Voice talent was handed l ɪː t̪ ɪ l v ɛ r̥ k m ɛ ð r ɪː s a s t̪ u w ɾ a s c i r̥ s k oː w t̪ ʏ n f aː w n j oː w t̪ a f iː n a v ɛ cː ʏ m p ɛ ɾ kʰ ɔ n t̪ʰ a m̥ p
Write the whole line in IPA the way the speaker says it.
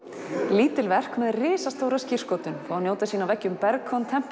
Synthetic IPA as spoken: l iː t̪ ɪ l v ɛ r̥ k m ɛ ð r ɪː s a s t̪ o w ɾ a s c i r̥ s k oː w t̪ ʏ n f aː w n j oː w t̪ a s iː n a v ɛ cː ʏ m p ɛ ɾ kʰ ɔ n t̪ʰ ɛ m̥ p